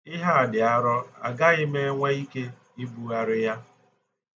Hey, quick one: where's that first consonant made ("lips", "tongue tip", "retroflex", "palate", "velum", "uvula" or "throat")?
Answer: throat